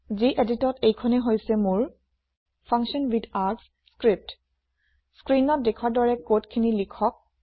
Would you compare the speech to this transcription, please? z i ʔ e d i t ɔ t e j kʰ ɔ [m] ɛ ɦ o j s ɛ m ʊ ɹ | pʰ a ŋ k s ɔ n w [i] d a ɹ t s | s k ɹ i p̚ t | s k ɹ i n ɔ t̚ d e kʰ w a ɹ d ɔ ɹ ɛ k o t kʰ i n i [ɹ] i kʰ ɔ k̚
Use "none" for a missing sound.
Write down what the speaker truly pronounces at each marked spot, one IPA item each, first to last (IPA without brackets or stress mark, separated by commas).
n, i, l